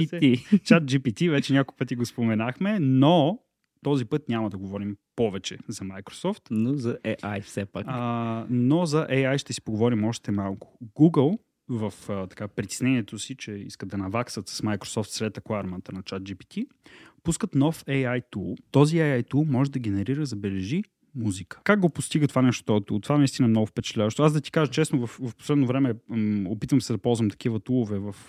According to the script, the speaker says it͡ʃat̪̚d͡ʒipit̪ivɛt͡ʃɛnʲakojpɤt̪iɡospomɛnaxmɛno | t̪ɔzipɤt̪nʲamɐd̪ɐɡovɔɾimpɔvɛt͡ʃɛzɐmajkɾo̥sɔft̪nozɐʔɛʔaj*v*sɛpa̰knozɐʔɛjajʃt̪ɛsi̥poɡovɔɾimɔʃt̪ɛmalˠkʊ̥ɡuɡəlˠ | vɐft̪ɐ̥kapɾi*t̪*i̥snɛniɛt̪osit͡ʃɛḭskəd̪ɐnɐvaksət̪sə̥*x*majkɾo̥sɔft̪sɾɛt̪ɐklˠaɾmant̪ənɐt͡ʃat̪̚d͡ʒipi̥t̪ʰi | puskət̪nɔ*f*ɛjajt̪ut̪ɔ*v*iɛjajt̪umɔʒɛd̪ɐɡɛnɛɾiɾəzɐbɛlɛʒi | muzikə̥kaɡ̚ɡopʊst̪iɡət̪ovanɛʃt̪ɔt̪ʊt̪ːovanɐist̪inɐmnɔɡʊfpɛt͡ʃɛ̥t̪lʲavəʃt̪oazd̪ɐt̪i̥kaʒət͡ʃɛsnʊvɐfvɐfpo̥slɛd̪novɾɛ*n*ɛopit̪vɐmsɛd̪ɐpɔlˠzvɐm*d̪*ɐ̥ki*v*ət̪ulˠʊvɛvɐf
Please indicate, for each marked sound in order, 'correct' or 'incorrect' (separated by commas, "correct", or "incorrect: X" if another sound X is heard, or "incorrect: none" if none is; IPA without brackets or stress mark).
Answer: incorrect: f, correct, incorrect: s, correct, incorrect: z, incorrect: m, incorrect: t̪, correct